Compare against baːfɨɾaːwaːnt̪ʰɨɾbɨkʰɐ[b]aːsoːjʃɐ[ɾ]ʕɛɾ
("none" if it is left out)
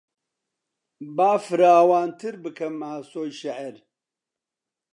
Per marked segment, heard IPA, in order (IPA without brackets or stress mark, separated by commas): m, none